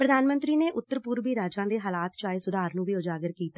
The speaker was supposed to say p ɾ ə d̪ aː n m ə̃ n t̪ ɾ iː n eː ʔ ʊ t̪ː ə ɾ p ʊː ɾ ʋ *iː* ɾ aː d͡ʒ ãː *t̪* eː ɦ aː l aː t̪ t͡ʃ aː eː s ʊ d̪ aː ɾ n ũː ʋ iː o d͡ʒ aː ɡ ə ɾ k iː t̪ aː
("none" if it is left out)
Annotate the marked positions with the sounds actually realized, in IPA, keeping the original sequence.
iː, d̪

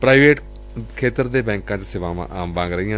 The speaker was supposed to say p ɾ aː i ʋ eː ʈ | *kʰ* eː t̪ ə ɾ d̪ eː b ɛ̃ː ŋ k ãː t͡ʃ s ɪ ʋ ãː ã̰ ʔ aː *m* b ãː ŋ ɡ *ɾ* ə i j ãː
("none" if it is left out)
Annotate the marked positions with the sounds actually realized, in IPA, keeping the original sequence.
kʰ, m, ɾ

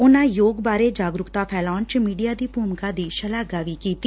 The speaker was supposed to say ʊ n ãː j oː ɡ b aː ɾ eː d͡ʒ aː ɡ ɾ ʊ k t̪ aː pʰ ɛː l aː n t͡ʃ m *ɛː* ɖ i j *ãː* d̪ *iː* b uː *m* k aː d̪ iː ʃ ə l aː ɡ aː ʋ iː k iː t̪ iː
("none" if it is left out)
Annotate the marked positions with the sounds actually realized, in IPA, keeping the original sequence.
iː, aː, iː, m

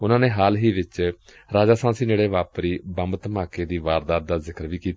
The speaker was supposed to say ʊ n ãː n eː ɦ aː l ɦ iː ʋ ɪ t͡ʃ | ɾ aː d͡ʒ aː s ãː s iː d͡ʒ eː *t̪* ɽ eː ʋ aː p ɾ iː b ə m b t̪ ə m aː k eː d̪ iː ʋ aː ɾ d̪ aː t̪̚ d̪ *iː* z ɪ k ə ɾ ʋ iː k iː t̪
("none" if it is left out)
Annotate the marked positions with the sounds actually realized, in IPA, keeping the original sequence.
none, aː

